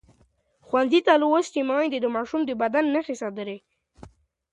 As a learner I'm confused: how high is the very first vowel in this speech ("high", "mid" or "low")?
low